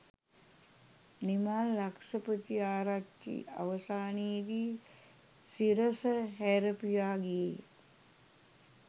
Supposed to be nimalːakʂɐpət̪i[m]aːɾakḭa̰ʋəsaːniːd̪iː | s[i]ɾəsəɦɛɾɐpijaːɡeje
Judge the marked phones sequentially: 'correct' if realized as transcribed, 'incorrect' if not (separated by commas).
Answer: incorrect, correct